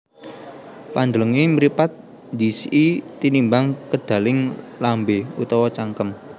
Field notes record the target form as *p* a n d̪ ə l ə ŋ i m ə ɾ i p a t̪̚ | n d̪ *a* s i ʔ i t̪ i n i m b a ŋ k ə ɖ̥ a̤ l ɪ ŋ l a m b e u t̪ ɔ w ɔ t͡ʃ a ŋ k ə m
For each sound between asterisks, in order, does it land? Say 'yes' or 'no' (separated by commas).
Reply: yes, no